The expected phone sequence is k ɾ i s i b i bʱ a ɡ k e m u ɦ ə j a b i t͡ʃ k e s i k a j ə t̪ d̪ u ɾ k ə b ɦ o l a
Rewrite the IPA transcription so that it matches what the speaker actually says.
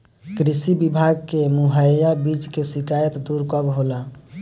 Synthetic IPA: k ɾ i s i b i bʱ a ɡ k e m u ɦ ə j a b i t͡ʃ k e s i k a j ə t̪ d̪ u ɾ k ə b ɦ o l a